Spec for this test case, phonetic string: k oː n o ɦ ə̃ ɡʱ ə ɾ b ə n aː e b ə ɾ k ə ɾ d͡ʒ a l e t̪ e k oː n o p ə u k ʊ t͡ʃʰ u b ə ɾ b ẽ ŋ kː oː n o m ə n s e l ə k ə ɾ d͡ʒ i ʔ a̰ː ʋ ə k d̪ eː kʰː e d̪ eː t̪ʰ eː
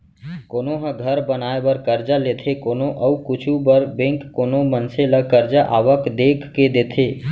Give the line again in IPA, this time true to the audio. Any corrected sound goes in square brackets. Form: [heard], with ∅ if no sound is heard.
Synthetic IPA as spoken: k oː n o ɦ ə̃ ɡʱ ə ɾ b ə n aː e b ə ɾ k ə ɾ d͡ʒ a l e [t̪ʰ] e k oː n o [ʔ] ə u k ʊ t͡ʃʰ u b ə ɾ b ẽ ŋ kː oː n o m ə n s e l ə k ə ɾ d͡ʒ [a] ʔ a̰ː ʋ ə k d̪ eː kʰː e d̪ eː t̪ʰ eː